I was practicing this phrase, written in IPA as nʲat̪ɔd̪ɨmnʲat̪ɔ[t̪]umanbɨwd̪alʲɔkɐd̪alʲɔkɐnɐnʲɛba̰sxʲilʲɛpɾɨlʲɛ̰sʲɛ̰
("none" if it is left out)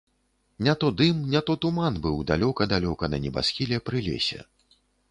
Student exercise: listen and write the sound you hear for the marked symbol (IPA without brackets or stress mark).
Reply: t̪